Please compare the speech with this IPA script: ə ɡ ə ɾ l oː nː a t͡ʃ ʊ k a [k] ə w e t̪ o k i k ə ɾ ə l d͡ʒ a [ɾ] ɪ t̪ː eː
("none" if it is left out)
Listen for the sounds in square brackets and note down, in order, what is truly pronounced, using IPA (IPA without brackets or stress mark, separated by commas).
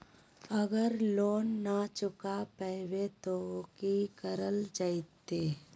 p, none